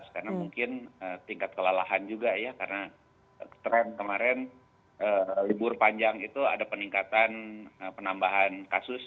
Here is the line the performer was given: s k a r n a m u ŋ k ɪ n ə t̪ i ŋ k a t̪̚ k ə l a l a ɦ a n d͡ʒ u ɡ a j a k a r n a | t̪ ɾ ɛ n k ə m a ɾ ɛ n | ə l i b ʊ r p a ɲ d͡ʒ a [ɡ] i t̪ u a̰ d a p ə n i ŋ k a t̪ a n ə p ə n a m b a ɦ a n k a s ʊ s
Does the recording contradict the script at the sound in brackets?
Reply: yes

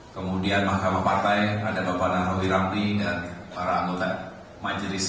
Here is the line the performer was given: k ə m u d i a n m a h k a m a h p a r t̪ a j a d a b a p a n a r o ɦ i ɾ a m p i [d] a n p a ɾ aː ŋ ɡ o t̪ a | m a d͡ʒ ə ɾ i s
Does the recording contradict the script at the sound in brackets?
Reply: no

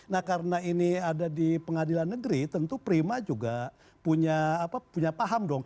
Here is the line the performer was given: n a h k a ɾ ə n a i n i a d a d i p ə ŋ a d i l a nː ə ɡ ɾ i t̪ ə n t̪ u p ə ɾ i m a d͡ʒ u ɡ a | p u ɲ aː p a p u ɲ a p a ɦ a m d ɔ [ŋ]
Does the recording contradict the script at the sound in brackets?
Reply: no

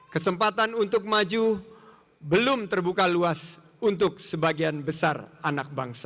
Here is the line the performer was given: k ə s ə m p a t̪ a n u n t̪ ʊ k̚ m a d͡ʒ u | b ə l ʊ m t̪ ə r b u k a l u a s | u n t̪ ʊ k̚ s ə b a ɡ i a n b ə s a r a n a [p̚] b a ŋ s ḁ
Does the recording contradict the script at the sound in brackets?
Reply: yes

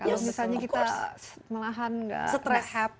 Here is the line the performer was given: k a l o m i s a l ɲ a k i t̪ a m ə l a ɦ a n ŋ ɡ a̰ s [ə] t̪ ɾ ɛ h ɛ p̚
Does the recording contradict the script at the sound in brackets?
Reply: no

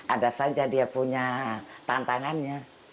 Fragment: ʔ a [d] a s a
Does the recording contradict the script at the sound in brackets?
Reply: no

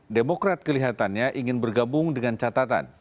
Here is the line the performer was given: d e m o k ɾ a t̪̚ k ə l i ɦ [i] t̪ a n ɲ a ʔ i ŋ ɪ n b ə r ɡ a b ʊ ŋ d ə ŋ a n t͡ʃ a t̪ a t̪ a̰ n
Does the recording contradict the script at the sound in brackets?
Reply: yes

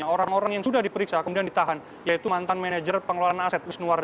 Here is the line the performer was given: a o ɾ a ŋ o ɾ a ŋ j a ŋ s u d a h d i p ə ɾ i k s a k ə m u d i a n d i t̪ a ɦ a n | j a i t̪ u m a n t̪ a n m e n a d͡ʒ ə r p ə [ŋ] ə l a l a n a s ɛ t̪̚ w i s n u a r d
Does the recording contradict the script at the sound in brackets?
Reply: no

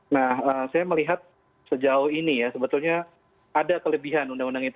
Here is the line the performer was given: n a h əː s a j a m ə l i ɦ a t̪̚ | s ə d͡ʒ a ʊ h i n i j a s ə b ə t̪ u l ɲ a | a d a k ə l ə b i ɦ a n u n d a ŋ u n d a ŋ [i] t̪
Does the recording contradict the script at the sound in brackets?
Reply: no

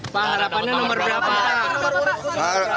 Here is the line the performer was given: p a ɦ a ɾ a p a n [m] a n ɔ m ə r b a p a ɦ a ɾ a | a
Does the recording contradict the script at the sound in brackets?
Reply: yes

